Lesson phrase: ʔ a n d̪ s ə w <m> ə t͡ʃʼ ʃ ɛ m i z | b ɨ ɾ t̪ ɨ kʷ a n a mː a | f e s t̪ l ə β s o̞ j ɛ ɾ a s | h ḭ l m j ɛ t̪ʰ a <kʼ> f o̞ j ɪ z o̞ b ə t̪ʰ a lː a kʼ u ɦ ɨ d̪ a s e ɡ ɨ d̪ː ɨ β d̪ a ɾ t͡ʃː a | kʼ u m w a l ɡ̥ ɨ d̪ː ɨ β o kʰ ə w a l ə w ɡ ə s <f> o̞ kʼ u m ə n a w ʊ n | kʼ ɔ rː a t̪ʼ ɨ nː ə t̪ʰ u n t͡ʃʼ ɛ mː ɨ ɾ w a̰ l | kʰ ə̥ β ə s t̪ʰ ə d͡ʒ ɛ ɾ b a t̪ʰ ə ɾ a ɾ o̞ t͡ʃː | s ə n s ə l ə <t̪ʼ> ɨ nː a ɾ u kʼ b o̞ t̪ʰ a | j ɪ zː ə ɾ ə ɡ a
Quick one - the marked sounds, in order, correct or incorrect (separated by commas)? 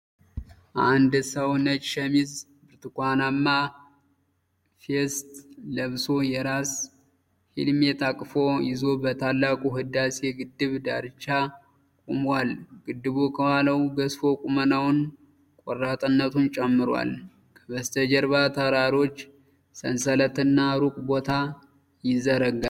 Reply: incorrect, correct, correct, incorrect